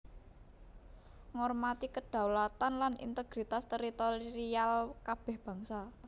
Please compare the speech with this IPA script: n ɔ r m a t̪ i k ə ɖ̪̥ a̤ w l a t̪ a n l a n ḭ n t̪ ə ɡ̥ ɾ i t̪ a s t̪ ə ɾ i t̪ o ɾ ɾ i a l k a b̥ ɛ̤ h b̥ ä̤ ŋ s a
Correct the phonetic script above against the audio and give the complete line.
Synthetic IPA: ŋ ɔ r m a t̪ i k ə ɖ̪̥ a̤ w l a t̪ a n l a n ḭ n t̪ ə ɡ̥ ɾ i t̪ a s t̪ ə ɾ i t̪ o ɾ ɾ i a l k a b̥ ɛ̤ h b̥ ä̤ ŋ s a